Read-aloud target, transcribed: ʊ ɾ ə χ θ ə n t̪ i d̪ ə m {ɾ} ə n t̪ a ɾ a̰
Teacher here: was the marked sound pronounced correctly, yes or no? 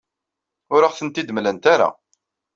no